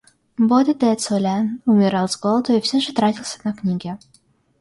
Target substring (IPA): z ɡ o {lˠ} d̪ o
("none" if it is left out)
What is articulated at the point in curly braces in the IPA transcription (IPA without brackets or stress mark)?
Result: lˠ